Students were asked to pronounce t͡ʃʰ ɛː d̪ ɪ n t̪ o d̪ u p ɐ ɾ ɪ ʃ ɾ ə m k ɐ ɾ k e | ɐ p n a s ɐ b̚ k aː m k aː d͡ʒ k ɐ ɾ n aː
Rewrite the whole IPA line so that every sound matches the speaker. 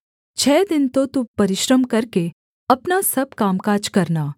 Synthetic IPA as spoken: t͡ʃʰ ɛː d̪ ɪ n t̪ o t̪ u p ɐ ɾ ɪ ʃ ɾ ə m k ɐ ɾ k e | ɐ p n a s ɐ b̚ k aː m k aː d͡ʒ k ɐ ɾ n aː